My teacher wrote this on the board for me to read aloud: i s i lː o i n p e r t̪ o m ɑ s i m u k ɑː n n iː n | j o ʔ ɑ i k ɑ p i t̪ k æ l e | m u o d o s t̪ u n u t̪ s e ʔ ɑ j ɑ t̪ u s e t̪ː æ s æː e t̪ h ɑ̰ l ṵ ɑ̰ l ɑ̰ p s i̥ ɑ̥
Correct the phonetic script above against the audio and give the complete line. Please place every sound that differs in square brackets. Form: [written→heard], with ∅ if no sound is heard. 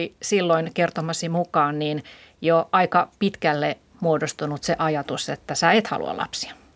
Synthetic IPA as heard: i s i lː o i n [p→k] e r t̪ o m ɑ s i m u k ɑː n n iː n | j o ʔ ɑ i k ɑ p i t̪ k æ [l→lː] e | m u o d o s t̪ u n u t̪ s e ʔ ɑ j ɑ t̪ u s e t̪ː æ s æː e t̪ h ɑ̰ l ṵ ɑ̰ l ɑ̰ p s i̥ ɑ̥